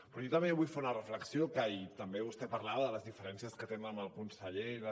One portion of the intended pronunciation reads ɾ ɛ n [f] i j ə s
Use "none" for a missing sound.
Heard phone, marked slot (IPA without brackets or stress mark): s